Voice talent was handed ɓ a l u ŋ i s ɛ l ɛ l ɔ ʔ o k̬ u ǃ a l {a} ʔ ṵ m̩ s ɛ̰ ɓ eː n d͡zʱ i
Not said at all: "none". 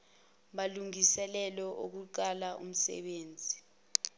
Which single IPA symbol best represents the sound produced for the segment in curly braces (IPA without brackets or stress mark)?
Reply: a